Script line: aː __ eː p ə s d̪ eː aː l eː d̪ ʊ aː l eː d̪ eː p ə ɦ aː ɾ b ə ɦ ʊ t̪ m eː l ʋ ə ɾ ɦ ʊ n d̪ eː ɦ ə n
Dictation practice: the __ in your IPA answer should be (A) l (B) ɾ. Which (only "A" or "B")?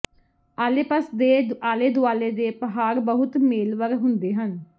A